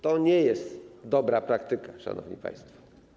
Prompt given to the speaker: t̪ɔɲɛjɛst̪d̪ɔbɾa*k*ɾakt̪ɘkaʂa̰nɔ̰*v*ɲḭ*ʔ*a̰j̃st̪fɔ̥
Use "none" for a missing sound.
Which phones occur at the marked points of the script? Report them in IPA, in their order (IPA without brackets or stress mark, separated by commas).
p, v, p